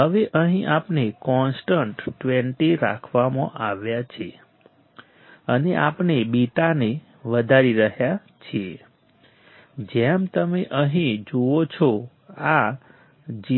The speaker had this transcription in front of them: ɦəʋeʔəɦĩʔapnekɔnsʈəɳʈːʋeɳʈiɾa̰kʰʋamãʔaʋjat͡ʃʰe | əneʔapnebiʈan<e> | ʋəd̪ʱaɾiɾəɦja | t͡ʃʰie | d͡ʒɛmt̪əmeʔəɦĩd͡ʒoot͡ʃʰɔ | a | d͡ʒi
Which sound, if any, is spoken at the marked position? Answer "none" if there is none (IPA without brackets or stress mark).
e